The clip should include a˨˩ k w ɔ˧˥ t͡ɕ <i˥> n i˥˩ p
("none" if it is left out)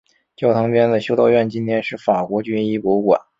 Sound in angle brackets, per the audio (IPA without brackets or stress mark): y˥